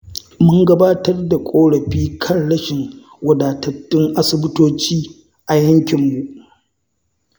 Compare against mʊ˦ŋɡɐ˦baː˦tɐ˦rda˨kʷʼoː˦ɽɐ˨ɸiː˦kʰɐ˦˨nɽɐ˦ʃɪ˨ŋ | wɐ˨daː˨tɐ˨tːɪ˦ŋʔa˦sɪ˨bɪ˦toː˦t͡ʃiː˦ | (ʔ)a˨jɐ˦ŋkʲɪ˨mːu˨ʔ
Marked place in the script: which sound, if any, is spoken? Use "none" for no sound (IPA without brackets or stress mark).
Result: ʔ